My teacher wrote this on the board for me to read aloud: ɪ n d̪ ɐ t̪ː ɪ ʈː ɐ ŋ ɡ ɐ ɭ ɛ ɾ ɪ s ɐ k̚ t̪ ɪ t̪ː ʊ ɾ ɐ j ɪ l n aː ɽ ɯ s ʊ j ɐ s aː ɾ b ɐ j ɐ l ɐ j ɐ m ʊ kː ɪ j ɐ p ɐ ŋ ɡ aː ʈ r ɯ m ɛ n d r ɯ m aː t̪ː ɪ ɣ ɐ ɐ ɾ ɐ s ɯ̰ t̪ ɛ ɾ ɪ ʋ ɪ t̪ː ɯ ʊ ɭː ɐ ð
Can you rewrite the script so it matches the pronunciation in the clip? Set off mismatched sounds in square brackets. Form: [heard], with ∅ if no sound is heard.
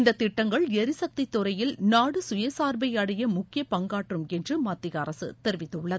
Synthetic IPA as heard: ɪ n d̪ ɐ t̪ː ɪ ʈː ɐ ŋ ɡ ɐ ɭ ɛ ɾ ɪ s ɐ k̚ t̪ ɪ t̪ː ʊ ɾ ɐ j ɪ l n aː ɽ ɯ s ʊ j ɐ s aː ɾ b ɐ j ɐ [ɽ] ɐ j ɐ m ʊ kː ɪ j ɐ p ɐ ŋ ɡ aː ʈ r ɯ m ɛ n d r ɯ m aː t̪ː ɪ ɣ ɐ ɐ ɾ ɐ s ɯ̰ t̪ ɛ ɾ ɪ ʋ ɪ t̪ː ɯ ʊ ɭː ɐ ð